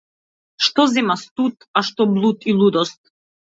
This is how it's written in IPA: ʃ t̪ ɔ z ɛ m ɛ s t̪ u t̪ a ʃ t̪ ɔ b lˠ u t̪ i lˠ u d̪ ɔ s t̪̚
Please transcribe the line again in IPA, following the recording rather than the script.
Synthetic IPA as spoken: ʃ t̪ ɔ z ɛ m a s t̪ u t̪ a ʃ t̪ ɔ b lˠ u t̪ i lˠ u d̪ ɔ s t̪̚